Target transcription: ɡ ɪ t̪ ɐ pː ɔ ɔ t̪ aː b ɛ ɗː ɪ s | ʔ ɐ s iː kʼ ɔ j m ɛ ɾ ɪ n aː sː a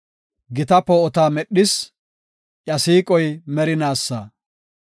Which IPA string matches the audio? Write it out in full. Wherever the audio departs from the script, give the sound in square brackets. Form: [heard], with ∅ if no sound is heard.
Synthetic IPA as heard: ɡ ɪ t̪ ɐ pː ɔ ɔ t̪ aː [m] ɛ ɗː ɪ s | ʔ ɐ s iː kʼ ɔ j m ɛ ɾ ɪ n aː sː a